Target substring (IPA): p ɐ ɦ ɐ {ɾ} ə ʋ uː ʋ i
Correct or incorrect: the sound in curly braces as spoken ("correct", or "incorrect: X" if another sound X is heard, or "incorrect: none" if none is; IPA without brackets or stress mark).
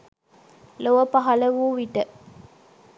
incorrect: l